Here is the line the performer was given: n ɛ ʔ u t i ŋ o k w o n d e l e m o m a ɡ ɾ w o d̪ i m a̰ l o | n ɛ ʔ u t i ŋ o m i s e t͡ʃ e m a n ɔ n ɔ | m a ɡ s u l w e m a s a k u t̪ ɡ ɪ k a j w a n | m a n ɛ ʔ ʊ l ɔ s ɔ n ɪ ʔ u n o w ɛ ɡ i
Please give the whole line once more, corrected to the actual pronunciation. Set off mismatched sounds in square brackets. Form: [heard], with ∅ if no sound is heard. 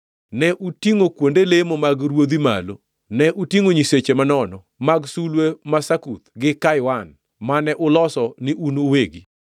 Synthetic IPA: n ɛ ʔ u t i ŋ o k w o n d e l e m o m a ɡ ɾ w o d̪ i m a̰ l o | n ɛ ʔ u t i ŋ o [ɲ] i s e t͡ʃ e m a n ɔ n ɔ | m a ɡ s u l w e m a s a k u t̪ ɡ ɪ k a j w a n | m a n ɛ ʔ ʊ l ɔ s ɔ n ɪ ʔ u n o w [e] ɡ i